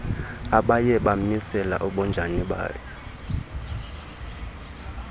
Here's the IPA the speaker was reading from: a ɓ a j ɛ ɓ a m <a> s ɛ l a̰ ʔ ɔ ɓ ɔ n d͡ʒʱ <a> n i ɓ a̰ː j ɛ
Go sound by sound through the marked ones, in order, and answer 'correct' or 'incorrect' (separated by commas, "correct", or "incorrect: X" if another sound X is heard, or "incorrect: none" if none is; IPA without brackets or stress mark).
incorrect: i, correct